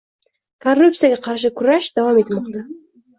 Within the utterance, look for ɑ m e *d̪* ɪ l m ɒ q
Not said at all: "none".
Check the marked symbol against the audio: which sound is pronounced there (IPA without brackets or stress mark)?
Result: t̪